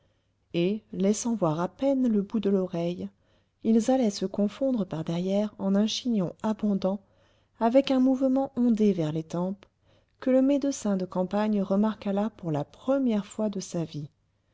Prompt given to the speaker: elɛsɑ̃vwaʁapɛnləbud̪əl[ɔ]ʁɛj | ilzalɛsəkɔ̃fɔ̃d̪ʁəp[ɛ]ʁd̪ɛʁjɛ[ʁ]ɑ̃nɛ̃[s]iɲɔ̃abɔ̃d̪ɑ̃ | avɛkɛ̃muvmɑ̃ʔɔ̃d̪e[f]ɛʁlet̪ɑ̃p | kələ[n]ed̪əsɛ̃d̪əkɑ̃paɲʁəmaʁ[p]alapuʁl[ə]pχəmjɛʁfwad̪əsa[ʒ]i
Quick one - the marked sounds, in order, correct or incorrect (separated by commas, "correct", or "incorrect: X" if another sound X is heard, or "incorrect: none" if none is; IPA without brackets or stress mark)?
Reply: correct, incorrect: a, correct, incorrect: ʃ, incorrect: v, incorrect: m, incorrect: k, incorrect: a, incorrect: v